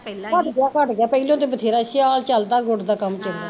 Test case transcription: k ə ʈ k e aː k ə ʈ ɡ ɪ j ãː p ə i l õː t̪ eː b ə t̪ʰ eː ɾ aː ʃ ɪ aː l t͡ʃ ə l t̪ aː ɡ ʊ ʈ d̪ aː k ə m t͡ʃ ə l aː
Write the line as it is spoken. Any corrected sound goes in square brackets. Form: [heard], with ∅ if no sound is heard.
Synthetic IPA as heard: k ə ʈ [ɡ] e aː k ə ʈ ɡ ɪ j [aː] p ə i l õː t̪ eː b ə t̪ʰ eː ɾ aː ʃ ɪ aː l t͡ʃ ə l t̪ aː ɡ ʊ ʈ d̪ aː k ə m t͡ʃ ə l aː